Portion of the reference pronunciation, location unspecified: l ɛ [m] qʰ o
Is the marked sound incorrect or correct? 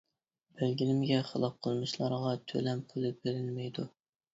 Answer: correct